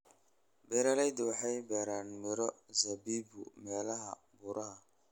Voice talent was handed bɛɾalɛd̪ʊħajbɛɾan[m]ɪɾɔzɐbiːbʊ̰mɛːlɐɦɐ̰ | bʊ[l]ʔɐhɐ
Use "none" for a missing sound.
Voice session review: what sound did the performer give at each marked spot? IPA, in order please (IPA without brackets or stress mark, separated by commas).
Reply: m, ɾ